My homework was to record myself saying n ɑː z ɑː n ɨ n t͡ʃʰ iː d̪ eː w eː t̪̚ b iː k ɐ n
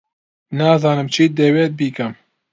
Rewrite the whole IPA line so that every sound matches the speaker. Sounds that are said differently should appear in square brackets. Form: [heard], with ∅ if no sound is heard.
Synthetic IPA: n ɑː z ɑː n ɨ [m] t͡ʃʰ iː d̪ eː w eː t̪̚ b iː k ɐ [m]